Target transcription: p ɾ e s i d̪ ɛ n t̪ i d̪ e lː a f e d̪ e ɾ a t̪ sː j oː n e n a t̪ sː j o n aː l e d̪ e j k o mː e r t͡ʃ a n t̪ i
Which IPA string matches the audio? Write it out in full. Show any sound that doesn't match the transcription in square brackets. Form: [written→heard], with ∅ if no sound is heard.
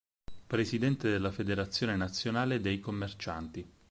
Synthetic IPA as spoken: p ɾ e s i d̪ ɛ n t̪ [i→e] d̪ e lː a f e d̪ e ɾ a t̪ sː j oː n e n a t̪ sː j o n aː l e d̪ e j k o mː e r t͡ʃ a n t̪ i